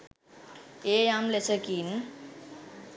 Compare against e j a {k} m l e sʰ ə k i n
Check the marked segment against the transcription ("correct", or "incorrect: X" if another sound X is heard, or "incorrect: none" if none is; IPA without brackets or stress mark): incorrect: none